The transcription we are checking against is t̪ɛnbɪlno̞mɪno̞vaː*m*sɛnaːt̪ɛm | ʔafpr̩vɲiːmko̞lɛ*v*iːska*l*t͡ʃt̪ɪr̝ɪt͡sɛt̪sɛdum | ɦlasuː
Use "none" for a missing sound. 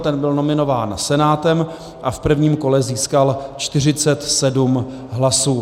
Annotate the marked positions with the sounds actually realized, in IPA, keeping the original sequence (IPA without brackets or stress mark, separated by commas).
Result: n, z, l